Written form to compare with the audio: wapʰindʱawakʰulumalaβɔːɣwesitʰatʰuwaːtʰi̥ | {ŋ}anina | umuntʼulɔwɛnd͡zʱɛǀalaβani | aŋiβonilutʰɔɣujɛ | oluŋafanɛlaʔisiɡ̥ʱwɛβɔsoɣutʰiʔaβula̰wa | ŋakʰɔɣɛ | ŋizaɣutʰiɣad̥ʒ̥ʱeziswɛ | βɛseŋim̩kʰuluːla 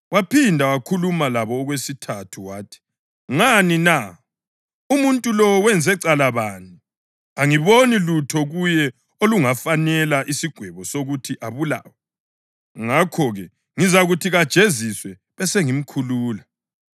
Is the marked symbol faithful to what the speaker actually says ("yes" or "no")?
yes